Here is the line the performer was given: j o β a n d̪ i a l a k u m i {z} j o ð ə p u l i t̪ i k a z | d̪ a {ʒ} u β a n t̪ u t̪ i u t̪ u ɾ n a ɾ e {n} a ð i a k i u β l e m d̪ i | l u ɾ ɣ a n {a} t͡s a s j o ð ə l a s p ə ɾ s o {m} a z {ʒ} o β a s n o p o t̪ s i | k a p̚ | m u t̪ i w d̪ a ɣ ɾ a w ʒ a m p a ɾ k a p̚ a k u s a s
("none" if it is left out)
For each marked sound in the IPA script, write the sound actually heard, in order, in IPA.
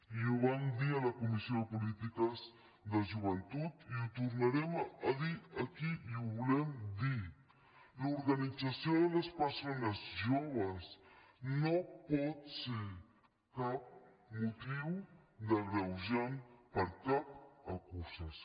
s, ʒ, m, i, n, ʒ

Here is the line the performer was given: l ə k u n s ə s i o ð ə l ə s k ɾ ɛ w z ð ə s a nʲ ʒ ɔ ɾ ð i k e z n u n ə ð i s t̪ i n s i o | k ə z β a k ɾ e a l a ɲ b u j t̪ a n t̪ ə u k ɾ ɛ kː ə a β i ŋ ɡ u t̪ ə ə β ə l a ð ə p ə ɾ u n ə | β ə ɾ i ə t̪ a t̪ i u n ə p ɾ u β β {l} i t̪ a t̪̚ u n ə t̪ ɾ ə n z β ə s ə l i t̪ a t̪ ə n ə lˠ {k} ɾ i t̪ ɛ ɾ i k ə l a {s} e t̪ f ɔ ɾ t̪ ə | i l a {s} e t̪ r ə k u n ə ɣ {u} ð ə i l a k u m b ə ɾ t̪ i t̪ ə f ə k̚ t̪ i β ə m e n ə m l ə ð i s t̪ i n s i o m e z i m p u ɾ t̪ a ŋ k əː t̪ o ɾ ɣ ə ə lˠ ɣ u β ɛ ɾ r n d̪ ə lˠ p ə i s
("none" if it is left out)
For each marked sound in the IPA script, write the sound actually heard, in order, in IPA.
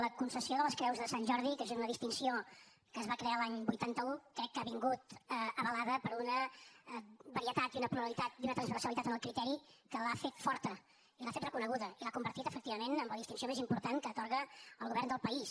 l, k, f, f, u

